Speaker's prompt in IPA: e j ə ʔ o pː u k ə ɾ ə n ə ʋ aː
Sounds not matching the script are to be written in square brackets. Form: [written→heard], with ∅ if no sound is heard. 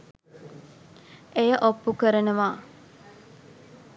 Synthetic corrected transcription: e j ə ʔ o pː u k ə ɾ ə n ə ʋ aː

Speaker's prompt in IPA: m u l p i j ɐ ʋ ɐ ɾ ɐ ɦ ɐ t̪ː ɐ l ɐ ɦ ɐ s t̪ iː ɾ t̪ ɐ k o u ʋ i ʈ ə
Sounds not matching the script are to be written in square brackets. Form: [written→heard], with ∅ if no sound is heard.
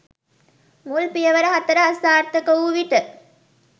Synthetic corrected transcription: m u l p i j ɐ ʋ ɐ ɾ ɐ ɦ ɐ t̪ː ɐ [l→ɾ] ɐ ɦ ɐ s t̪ [iː→aː] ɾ t̪ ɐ k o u ʋ i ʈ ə

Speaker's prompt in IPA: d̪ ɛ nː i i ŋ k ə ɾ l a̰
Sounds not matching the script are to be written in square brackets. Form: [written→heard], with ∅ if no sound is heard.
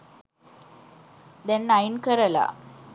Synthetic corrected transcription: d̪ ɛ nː [i→a] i [ŋ→n] k ə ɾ l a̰

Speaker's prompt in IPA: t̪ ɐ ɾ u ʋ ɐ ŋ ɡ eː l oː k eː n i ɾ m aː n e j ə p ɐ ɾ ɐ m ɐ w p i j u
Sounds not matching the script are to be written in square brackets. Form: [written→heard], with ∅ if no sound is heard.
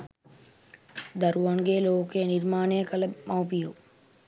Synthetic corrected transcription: [t̪→d̪] ɐ ɾ u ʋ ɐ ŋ ɡ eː l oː k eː n i ɾ m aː n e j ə [p→k] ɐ [ɾ→l] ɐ m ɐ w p i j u

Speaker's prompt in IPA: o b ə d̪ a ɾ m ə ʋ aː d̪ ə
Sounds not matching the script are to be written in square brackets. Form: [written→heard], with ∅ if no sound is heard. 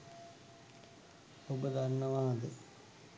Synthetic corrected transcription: o b ə d̪ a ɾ [m→n] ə ʋ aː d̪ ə

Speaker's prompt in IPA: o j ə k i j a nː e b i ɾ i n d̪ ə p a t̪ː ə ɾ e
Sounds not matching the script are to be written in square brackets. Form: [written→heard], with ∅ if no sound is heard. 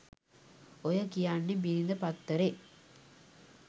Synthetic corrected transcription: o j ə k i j a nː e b i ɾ i n d̪ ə p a t̪ː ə ɾ e

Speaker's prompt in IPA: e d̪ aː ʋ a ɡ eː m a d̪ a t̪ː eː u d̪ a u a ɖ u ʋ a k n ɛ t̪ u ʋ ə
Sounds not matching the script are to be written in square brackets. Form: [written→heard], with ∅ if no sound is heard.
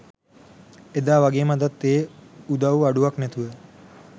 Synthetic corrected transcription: e d̪ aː ʋ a ɡ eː m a d̪ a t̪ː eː u d̪ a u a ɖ u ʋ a k n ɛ t̪ u ʋ ə

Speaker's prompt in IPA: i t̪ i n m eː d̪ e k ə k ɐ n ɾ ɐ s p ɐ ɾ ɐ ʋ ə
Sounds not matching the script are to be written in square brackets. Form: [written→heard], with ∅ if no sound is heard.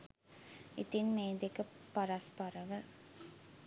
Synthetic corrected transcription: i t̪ i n m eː d̪ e k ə [k→p] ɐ [n→∅] ɾ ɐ s p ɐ ɾ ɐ ʋ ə

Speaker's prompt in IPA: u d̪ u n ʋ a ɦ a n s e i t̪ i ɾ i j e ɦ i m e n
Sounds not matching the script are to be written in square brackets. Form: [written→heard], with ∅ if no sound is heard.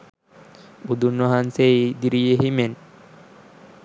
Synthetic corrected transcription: u d̪ u n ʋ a ɦ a n s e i [t̪→d̪] i ɾ i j e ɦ i m e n

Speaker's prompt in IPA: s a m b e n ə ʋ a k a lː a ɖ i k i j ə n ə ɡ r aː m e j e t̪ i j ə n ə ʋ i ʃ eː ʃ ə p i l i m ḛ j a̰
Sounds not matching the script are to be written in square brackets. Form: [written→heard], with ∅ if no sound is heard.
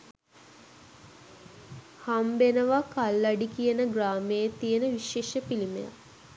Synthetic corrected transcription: [s→h] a m b e n ə ʋ a k a lː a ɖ i k i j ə n ə ɡ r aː m e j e t̪ i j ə n ə ʋ i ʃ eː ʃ ə p i l i m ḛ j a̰

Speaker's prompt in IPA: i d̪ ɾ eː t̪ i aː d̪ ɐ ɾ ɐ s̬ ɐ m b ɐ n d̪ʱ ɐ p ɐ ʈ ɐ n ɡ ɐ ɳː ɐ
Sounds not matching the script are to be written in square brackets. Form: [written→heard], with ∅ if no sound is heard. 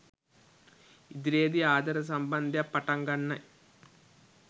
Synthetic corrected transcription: i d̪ ɾ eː [t̪→d̪] i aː d̪ ɐ ɾ ɐ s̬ ɐ m b ɐ n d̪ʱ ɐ p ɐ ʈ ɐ [n→ŋ] ɡ ɐ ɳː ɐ

